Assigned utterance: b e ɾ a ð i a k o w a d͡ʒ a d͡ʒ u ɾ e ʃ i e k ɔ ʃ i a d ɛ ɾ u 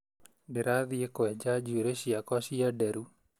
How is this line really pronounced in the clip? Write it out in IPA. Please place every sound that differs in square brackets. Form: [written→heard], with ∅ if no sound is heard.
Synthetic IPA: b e ɾ a ð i [a→e] k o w [a→ɛ] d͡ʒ a d͡ʒ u ɾ e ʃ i [e→a] k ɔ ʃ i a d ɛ ɾ u